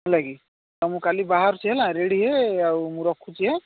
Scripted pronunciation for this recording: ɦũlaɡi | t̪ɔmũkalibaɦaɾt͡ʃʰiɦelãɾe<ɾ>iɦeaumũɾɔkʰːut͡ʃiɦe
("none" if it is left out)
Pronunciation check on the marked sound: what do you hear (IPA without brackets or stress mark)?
ɽ